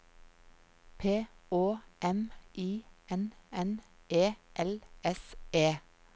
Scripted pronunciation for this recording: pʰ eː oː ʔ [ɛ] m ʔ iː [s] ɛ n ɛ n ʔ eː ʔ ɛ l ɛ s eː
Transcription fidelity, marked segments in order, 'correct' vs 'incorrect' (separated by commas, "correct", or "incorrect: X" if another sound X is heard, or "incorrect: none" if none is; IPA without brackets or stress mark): correct, incorrect: none